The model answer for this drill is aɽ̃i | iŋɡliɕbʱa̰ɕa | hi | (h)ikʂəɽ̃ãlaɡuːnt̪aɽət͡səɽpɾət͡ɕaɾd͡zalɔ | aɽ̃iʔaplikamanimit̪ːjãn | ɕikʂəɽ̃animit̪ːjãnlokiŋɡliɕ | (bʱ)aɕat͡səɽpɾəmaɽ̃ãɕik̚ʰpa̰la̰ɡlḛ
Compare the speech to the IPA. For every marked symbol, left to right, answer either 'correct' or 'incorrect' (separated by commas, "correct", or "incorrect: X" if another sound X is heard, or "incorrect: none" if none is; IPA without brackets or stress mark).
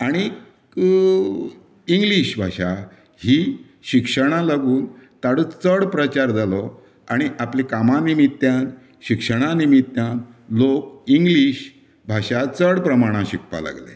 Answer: incorrect: ɕ, correct